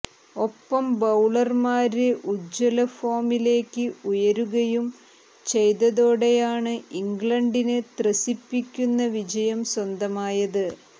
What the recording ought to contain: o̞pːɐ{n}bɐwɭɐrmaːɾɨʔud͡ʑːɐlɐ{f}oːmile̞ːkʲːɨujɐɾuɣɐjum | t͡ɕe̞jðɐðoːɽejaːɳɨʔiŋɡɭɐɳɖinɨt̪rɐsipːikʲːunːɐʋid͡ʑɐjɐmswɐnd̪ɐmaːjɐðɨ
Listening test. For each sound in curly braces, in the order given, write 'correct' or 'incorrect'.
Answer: incorrect: m, correct

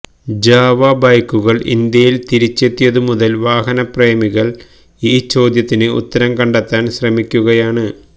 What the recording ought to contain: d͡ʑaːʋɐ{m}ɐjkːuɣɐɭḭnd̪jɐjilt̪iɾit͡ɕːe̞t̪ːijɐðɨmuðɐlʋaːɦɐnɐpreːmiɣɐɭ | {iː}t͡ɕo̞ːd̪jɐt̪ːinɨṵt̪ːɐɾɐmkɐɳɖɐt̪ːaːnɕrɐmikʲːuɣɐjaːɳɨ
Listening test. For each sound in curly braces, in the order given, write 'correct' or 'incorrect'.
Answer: incorrect: b, correct

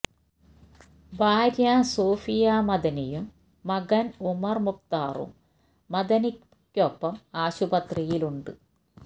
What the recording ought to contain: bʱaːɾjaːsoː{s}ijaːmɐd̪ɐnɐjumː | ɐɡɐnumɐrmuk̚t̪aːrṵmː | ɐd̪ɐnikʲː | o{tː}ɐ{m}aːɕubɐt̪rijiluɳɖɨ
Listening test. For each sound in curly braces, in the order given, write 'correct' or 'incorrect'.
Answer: incorrect: f, incorrect: pː, correct

